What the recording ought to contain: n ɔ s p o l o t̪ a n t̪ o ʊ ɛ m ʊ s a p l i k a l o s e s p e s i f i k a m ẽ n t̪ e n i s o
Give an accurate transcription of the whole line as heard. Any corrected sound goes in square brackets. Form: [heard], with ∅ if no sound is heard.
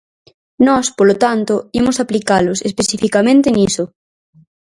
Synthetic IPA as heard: n ɔ s p o l o t̪ a n t̪ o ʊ [i] m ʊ s a p l i k a l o s e s p e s i f i k a m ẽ n t̪ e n i s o